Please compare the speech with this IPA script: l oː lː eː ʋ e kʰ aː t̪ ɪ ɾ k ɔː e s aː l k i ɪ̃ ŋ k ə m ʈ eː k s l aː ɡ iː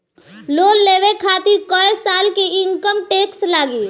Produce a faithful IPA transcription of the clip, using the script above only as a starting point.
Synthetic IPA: l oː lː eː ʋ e kʰ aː t̪ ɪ ɾ k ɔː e s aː l k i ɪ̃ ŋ k ə m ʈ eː k s l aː ɡ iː